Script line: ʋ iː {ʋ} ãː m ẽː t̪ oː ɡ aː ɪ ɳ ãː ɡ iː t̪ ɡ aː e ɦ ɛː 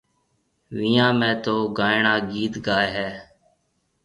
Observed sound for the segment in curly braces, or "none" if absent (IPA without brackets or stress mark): none